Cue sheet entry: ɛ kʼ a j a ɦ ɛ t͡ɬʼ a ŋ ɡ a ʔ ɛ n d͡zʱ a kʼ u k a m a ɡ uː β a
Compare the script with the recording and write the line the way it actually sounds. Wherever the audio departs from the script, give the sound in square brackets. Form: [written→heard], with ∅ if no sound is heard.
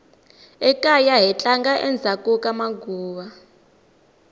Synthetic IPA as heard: ɛ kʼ a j a ɦ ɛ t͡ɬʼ a ŋ ɡ a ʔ ɛ n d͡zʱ a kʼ u k a m a ɡ uː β a